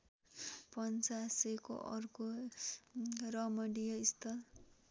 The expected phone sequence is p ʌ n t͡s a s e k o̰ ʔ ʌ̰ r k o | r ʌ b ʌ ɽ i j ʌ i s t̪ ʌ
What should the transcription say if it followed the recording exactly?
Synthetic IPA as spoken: p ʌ n t͡s a s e k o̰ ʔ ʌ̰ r k o | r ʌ m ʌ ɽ i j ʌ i s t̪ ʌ